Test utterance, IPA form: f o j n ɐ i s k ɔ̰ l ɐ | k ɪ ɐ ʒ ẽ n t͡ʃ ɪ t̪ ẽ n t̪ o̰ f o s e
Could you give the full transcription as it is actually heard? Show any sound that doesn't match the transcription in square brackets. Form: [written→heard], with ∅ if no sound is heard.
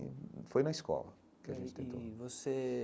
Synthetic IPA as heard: f o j n ɐ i s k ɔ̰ l ɐ | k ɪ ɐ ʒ ẽ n t͡ʃ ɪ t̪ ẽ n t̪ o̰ [f→v] o s e